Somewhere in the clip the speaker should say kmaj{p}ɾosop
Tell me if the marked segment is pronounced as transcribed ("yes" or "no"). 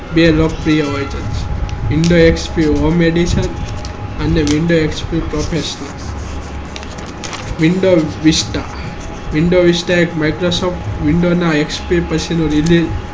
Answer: no